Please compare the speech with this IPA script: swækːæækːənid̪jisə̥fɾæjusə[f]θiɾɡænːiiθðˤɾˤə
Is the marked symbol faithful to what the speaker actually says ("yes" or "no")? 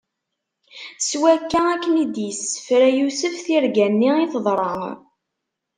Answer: yes